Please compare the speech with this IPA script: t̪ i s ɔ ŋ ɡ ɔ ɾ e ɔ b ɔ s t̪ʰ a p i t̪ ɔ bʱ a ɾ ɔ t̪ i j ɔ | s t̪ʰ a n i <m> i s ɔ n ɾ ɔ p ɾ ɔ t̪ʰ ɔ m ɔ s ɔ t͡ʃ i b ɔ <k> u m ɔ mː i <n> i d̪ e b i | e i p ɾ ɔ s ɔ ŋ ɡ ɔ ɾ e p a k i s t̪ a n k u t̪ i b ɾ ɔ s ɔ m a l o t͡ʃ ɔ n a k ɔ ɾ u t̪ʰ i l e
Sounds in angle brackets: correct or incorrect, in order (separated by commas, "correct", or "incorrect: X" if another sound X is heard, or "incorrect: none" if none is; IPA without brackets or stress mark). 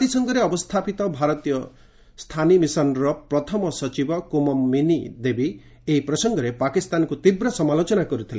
correct, correct, correct